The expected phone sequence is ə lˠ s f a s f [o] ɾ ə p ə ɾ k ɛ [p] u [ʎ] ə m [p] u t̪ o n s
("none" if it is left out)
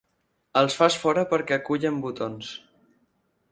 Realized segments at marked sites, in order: ɔ, k, ʎ, b

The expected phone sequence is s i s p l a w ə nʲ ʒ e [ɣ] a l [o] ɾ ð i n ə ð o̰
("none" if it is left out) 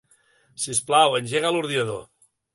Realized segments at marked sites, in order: ɣ, u

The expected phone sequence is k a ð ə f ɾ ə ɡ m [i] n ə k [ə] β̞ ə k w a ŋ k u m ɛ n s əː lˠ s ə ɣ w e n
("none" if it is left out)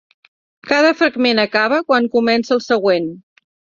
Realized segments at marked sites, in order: e, a

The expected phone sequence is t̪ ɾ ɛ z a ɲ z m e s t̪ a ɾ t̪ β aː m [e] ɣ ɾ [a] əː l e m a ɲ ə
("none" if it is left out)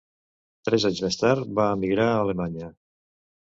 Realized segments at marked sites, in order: i, a

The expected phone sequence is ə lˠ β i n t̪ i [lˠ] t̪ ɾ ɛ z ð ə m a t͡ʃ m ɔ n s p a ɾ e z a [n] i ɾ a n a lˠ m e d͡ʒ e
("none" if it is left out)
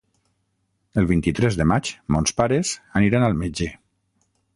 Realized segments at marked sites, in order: none, n

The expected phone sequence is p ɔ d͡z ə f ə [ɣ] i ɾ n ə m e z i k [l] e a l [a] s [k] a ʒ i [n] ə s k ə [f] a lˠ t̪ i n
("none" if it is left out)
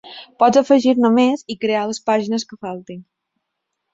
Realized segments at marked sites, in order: ʒ, ɾ, ə, p, n, f

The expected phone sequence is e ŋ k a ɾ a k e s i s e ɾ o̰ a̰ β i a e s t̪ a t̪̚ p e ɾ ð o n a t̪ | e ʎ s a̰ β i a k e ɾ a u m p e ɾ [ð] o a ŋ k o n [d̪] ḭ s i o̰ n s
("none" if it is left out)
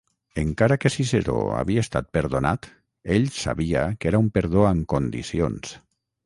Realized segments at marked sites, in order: ð, d̪

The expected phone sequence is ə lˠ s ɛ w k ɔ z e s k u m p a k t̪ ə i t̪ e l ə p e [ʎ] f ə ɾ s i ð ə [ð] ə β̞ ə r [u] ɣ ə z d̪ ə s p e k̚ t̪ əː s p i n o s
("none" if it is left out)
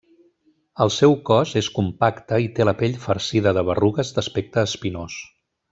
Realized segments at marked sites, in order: ʎ, ð, u

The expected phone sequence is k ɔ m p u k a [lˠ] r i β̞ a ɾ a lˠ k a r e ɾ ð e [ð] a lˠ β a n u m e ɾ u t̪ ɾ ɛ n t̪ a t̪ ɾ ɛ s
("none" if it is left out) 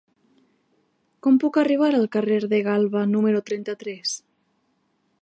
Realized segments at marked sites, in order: none, ɣ

